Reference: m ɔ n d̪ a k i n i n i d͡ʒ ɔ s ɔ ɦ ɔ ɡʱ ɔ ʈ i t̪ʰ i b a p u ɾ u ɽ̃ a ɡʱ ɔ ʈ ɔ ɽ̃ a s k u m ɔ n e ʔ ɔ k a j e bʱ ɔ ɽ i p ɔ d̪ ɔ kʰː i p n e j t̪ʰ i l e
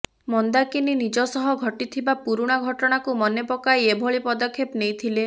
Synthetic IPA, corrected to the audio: m ɔ n d̪ a k i n i n i d͡ʒ ɔ s ɔ ɦ ɔ ɡʱ ɔ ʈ i t̪ʰ i b a p u ɾ u ɽ̃ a ɡʱ ɔ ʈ ɔ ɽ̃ a k u m ɔ n e p ɔ k a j e bʱ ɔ ɭ i p ɔ d̪ ɔ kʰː e p n e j t̪ʰ i l e